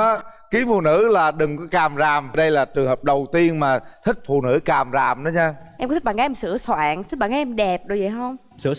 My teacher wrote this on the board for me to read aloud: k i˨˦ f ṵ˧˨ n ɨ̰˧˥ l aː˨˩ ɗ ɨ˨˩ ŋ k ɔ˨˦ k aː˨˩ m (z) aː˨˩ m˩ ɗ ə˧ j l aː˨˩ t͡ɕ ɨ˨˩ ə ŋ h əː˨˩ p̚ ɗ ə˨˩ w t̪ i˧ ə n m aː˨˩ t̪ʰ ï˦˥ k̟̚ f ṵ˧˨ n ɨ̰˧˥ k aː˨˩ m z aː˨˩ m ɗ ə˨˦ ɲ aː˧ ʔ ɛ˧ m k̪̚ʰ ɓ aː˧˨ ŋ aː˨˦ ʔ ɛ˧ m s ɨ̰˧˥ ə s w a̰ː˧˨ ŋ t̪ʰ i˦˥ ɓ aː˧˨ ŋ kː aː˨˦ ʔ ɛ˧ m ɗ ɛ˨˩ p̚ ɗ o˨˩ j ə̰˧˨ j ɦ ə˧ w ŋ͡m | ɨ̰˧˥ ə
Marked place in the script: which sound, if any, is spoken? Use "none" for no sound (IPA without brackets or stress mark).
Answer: z